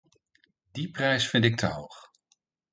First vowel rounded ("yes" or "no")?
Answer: no